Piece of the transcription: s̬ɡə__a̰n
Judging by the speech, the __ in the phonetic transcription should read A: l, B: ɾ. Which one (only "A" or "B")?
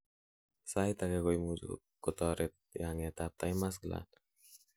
A